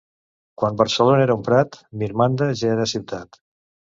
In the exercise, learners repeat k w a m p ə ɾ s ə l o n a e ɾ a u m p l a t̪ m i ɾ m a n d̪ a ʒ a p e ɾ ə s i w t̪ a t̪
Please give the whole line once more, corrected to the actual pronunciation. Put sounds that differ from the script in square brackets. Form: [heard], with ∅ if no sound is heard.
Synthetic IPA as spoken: k w a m [b] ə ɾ s ə l o n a e ɾ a u m p [ɾ] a t̪ m i ɾ m a n d̪ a ʒ a [∅] e ɾ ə s i w t̪ a t̪